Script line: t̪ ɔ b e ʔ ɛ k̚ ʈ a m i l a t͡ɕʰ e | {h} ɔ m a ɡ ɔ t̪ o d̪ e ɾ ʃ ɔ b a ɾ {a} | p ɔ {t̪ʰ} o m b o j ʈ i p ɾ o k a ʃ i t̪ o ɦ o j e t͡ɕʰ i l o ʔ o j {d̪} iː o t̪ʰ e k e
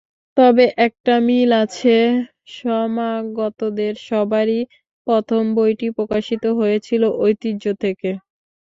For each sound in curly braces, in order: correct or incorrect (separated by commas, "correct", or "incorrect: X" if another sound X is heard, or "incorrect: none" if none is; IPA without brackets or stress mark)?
incorrect: ʃ, incorrect: i, correct, incorrect: t̪